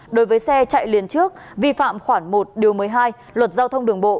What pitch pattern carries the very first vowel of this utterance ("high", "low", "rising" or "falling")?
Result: rising